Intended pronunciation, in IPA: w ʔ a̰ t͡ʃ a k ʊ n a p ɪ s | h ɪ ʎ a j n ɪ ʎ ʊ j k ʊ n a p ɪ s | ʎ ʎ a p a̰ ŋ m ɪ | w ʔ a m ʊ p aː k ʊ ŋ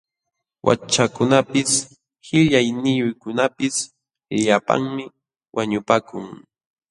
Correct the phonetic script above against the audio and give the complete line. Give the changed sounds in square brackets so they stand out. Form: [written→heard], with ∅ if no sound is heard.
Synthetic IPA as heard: w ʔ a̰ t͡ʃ a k ʊ n a p ɪ s | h ɪ ʎ a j n ɪ [ʎ→j] ʊ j k ʊ n a p ɪ s | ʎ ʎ a p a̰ ŋ m ɪ | w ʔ a [m→ɲ] ʊ p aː k ʊ ŋ